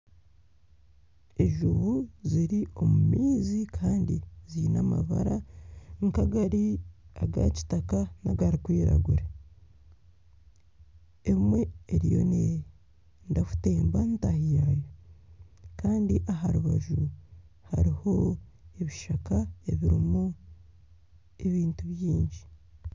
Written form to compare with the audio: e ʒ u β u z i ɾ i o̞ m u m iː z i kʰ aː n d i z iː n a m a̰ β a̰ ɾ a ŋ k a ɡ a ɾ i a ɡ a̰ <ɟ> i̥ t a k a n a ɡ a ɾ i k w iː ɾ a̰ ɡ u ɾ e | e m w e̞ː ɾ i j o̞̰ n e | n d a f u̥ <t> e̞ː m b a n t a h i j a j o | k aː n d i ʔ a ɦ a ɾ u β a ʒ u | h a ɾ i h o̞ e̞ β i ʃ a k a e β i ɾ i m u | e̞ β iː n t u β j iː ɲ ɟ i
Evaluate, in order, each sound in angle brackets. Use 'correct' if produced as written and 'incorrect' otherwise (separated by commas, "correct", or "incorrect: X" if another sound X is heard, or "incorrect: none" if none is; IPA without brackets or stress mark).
incorrect: c, correct